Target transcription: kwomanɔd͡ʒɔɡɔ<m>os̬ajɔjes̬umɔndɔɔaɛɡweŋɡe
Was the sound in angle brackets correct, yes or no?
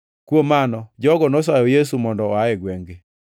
no